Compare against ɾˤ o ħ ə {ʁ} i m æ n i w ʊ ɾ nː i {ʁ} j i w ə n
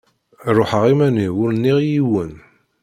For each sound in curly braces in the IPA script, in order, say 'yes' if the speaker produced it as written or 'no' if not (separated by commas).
yes, yes